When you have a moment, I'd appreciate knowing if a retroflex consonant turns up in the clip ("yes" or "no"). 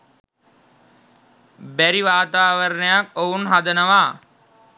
no